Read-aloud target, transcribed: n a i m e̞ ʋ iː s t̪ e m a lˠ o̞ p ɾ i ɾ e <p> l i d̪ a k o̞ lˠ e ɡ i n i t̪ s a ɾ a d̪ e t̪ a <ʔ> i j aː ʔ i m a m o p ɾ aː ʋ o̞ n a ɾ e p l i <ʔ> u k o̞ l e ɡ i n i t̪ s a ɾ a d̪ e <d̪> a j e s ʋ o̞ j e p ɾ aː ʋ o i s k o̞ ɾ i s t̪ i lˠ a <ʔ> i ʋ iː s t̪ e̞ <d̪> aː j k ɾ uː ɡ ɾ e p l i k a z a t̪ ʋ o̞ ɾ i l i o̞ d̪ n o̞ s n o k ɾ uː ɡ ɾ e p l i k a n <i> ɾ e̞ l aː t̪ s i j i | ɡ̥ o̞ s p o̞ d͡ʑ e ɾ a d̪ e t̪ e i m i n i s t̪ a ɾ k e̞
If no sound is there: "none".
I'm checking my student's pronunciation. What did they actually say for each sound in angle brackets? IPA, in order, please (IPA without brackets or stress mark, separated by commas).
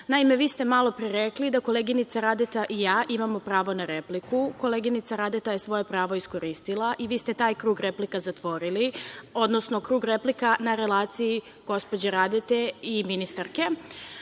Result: k, ʔ, k, t̪, ʔ, t̪, a